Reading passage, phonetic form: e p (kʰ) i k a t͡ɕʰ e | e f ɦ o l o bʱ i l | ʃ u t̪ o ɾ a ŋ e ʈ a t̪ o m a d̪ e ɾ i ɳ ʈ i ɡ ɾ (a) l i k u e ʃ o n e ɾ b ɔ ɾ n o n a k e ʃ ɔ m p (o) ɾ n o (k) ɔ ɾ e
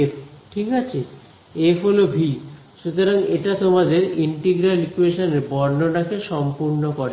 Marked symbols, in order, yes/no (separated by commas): no, yes, no, yes